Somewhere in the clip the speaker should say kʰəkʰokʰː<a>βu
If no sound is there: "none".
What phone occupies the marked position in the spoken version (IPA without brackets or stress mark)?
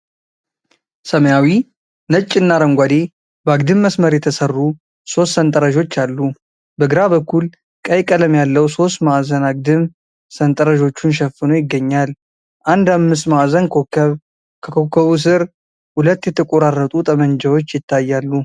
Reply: ə